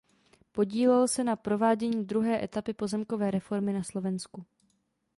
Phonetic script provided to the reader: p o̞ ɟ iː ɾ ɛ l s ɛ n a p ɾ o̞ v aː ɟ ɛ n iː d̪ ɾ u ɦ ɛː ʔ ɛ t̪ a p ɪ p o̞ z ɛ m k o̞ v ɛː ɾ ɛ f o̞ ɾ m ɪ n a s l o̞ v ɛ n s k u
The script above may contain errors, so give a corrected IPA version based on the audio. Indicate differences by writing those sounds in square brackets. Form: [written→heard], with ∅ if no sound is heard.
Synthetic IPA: p o̞ ɟ iː [ɾ→l] ɛ l s ɛ n a p ɾ o̞ v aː ɟ ɛ [n→ɲ] iː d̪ ɾ u ɦ ɛː ʔ ɛ t̪ a p ɪ p o̞ z ɛ m k o̞ v ɛː ɾ ɛ f o̞ ɾ m ɪ n a s l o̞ v ɛ n s k u